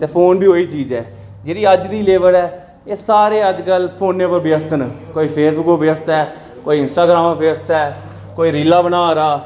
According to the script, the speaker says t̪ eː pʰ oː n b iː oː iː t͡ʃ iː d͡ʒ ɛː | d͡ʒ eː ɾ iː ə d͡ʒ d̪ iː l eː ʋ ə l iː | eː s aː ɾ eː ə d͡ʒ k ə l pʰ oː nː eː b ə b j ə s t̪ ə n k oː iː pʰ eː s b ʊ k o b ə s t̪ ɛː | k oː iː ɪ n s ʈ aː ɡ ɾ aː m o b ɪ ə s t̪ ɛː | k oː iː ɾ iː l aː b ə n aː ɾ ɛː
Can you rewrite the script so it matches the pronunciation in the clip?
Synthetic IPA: t̪ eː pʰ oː n b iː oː iː t͡ʃ iː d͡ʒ ɛː | d͡ʒ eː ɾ iː ə d͡ʒ d̪ iː l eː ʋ ə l ɛː | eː s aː ɾ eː ə d͡ʒ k ə l pʰ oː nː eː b ə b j ə s t̪ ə n k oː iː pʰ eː s b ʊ k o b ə s t̪ ɛː | k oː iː ɪ n s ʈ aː ɡ ɾ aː m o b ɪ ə s t̪ ɛː | k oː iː ɾ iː l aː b ə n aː ɾ aː